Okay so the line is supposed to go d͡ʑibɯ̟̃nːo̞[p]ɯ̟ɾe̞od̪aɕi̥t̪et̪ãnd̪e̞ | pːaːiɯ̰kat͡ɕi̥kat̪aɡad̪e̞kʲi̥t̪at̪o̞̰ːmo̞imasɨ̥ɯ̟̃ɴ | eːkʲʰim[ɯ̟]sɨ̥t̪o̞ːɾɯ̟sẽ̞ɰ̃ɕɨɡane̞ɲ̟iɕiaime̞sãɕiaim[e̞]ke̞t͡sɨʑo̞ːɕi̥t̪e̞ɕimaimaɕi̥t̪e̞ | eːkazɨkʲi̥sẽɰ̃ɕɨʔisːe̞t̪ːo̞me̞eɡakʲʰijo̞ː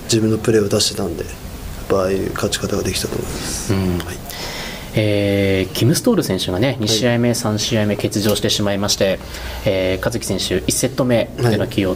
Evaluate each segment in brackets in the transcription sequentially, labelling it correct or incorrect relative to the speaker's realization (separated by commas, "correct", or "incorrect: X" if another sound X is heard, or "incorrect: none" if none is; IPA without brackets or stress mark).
correct, correct, correct